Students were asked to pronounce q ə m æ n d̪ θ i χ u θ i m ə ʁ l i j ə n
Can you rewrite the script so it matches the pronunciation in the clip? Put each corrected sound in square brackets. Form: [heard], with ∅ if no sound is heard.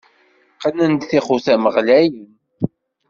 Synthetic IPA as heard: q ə [n] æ n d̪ θ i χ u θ [æ] m ə ʁ l [æ] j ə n